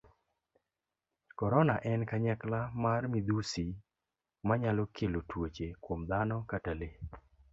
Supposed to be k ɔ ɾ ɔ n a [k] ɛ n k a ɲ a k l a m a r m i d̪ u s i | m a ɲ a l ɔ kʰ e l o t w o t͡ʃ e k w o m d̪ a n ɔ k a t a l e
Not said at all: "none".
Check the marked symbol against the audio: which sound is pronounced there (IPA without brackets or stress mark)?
ʔ